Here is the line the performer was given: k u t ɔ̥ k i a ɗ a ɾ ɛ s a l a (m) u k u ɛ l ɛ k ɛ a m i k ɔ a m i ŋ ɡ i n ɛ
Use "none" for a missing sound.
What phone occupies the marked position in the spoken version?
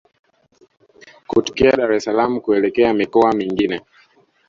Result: m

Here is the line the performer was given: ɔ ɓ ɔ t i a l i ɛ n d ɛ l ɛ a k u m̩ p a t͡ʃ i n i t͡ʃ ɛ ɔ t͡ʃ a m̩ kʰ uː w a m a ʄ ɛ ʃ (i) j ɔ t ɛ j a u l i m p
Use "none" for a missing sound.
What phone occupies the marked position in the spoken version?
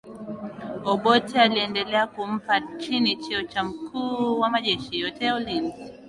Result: i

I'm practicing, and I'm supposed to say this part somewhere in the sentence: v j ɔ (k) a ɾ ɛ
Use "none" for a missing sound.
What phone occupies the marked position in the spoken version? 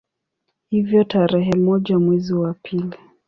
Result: t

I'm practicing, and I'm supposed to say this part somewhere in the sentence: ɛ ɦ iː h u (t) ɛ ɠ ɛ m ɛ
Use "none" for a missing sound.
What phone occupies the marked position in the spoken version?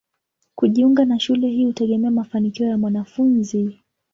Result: t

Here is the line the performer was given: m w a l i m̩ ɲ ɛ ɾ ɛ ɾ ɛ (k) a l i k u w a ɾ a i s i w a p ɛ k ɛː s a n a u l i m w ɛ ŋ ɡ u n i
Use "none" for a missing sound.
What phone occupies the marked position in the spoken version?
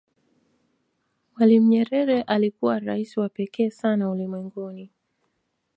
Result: ʔ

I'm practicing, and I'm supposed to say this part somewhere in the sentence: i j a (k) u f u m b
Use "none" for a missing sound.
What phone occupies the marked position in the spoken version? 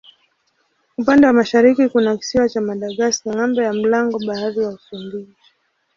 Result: none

